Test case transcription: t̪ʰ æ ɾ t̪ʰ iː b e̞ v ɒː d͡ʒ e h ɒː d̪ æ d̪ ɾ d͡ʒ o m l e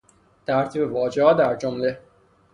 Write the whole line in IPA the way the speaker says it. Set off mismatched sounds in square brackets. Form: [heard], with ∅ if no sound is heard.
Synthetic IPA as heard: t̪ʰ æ ɾ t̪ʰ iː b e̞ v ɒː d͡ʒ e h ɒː d̪ æ [∅] ɾ d͡ʒ o m l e